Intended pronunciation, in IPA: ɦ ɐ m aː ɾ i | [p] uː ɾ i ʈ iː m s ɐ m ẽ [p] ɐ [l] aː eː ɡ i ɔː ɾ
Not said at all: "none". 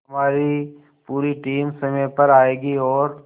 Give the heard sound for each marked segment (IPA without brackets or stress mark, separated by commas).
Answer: p, p, ɾ